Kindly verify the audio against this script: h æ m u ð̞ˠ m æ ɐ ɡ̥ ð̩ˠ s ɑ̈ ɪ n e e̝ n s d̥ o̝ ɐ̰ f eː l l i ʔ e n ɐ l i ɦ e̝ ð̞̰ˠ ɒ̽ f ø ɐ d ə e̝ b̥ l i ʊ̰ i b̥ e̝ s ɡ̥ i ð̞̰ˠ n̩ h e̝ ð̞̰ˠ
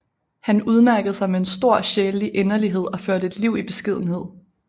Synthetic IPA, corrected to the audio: h æ n u ð̞ˠ m æ ɐ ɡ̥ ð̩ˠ s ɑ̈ ɪ m e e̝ n s d̥ o̝ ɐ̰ ɕ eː l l i ʔ e n ɐ l i ɦ e̝ ð̞̰ˠ ɒ̽ f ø ɐ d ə e̝ d̥ l i ʊ̰ i b̥ e̝ s ɡ̥ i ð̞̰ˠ n̩ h e̝ ð̞̰ˠ